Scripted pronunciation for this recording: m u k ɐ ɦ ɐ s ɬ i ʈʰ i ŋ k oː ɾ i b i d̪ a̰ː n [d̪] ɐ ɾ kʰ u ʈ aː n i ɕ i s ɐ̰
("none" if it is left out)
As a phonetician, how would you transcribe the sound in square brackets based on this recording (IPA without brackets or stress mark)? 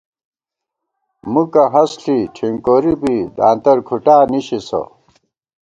t̪